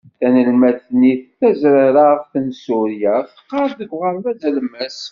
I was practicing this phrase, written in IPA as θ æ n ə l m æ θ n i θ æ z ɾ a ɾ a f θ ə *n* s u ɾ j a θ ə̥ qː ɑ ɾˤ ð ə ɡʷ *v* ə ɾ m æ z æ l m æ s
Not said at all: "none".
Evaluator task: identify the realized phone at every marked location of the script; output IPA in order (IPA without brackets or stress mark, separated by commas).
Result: n, ʁ